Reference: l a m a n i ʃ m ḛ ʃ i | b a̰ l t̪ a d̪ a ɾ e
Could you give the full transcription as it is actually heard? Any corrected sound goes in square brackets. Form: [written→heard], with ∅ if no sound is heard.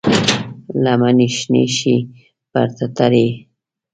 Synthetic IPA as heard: l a m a n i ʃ [m→n] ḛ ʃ i | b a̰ [l→ɾ] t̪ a [d̪→t̪] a ɾ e